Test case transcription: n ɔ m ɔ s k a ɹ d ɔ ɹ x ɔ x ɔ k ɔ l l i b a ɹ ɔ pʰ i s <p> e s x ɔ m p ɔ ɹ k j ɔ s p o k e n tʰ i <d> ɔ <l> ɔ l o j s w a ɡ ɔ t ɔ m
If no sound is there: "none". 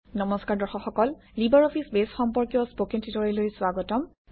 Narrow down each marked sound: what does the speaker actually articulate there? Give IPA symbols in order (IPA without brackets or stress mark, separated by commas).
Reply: b, t, ɹ